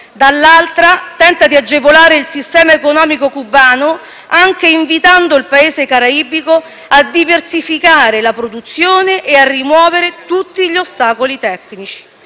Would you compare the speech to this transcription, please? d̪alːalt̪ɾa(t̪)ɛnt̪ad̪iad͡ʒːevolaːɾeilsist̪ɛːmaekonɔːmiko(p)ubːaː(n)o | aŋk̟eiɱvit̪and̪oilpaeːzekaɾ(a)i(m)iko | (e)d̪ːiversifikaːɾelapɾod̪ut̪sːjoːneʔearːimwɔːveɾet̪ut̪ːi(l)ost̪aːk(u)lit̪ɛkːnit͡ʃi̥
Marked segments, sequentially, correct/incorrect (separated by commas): correct, incorrect, correct, correct, incorrect, incorrect, incorrect, incorrect